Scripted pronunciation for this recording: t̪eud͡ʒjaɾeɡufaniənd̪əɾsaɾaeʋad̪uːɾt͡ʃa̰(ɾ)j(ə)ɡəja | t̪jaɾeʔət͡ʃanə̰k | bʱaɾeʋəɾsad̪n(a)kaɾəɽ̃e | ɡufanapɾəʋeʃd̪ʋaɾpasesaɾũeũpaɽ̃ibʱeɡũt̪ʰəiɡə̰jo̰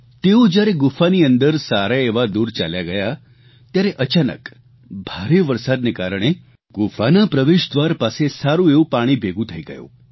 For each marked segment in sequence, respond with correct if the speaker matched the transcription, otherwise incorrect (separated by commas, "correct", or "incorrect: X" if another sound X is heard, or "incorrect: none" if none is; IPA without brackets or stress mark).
incorrect: l, incorrect: a, incorrect: e